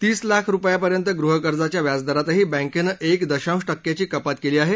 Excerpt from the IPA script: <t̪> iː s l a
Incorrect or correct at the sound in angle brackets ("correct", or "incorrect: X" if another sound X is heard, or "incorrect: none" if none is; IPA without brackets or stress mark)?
correct